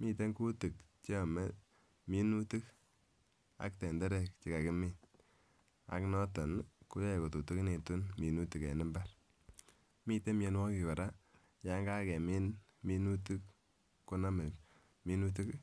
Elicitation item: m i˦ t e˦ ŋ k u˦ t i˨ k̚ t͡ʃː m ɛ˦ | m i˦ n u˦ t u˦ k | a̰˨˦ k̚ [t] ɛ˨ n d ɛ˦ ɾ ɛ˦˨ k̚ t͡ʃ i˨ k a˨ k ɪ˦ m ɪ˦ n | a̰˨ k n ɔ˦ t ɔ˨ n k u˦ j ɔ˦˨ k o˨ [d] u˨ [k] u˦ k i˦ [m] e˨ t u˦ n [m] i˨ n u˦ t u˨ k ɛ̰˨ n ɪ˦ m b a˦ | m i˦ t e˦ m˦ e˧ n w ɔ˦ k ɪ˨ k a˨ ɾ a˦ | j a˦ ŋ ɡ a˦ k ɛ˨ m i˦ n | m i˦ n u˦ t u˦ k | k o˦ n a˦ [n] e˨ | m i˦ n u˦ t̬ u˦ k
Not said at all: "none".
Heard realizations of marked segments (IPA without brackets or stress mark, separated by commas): t, t, t, n, m, m